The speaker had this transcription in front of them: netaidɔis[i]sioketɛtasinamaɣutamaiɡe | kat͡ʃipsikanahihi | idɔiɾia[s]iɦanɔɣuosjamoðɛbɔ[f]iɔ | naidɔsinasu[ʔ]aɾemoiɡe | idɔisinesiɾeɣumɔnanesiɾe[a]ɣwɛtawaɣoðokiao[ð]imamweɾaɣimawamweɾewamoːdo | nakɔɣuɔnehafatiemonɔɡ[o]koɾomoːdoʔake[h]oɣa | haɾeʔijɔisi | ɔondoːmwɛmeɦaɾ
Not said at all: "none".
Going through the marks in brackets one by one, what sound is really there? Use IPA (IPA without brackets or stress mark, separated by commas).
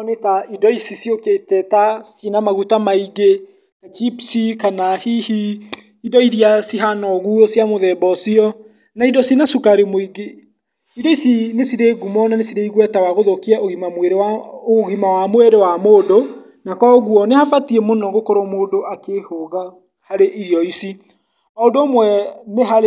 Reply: i, s, s, k, i, ɣ, o, h